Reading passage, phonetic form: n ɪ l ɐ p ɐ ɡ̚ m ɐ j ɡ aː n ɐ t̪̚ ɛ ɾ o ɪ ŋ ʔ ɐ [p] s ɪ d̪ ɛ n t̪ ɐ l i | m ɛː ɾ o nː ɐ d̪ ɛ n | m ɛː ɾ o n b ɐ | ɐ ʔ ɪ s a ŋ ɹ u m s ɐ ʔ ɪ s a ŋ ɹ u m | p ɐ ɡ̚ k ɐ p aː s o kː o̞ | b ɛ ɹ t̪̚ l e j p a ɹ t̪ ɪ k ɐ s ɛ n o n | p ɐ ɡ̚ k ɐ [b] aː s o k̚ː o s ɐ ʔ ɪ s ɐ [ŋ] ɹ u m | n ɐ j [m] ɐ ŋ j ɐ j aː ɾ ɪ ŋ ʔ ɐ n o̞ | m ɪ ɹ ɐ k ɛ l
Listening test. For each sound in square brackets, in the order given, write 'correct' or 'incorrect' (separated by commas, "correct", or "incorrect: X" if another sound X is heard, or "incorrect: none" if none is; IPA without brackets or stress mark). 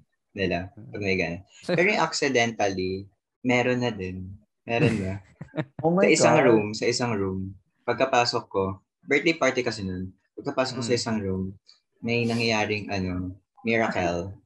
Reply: incorrect: k, incorrect: p, correct, incorrect: n